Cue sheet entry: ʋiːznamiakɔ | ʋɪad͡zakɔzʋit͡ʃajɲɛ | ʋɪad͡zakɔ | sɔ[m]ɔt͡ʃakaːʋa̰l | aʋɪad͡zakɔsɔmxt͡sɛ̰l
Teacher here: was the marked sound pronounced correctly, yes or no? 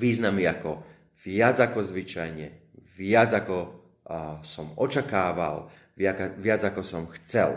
yes